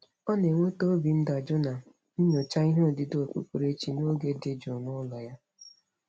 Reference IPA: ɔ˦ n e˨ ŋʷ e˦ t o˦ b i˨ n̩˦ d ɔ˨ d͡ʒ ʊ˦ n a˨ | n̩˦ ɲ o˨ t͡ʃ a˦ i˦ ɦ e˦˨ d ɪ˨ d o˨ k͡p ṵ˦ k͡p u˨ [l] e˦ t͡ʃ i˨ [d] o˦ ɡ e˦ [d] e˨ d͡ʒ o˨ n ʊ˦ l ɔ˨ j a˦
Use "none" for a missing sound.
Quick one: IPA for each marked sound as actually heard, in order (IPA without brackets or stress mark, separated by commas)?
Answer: ɾ, n, d